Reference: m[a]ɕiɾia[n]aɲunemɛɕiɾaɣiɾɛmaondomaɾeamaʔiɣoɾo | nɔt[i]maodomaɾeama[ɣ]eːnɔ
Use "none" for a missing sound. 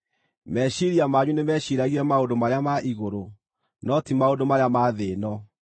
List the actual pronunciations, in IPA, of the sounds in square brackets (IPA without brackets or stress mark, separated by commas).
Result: ɛ, m, i, ð